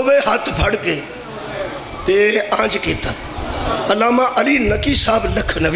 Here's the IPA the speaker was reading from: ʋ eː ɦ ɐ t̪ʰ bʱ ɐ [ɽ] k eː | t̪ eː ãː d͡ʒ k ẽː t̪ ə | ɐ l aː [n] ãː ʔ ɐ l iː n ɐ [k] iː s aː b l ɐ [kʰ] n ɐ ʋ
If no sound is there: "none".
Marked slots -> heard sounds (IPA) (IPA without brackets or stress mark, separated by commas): ɽ, m, k, kʰ